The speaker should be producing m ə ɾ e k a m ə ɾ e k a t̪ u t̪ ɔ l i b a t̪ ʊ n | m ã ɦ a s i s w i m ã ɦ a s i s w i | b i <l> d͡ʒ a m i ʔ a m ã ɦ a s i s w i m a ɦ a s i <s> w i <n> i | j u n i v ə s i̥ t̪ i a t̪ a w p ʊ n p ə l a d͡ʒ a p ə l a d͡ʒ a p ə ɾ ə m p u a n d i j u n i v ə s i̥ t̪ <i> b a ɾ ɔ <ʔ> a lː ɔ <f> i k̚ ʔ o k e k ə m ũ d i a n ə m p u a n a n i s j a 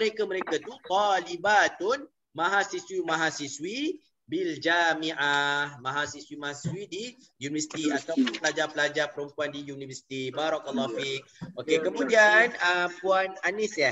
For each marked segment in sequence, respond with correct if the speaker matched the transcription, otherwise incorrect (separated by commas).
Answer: correct, correct, incorrect, correct, incorrect, correct